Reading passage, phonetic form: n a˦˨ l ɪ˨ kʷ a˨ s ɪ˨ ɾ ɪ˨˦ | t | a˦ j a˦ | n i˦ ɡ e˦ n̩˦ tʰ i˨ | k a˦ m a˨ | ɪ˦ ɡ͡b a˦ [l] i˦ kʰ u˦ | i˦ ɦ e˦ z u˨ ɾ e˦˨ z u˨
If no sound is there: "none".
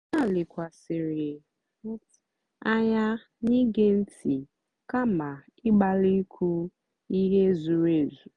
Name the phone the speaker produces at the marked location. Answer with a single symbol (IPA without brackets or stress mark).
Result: l